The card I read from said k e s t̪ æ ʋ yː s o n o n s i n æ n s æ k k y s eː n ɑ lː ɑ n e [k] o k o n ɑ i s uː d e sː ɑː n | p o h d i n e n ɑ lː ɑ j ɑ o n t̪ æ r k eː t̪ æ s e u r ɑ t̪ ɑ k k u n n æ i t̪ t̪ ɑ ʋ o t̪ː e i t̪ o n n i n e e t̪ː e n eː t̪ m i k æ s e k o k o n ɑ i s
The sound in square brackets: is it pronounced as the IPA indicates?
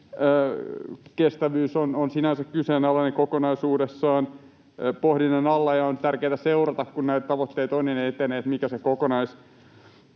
yes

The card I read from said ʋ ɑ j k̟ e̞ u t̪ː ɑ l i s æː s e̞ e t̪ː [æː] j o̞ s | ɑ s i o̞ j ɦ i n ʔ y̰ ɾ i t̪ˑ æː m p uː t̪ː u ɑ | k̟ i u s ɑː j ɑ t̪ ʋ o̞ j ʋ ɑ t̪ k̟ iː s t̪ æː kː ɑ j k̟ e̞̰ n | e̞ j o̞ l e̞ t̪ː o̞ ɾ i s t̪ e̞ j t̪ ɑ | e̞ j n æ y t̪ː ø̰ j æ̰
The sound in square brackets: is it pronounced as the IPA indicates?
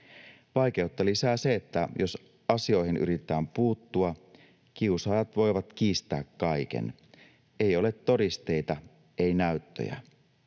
no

